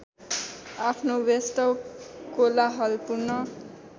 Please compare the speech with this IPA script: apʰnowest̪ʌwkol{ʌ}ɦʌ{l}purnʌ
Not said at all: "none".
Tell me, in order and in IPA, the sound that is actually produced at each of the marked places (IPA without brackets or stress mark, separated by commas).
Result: a, l